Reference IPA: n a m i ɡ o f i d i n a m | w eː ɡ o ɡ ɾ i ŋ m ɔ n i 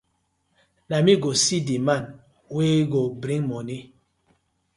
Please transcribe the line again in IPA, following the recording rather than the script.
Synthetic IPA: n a m i ɡ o s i d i m a n | w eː ɡ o b ɾ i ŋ m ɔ n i